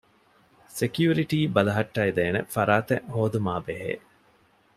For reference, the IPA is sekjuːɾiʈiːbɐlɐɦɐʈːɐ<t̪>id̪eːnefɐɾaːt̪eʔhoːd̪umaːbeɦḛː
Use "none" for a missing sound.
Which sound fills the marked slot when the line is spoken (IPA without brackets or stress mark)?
none